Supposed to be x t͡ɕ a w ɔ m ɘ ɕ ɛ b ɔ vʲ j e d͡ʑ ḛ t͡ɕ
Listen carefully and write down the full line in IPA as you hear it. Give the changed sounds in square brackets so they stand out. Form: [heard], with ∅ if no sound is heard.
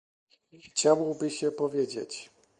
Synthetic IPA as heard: x t͡ɕ a w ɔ [b] ɘ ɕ ɛ [p] ɔ vʲ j e d͡ʑ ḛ t͡ɕ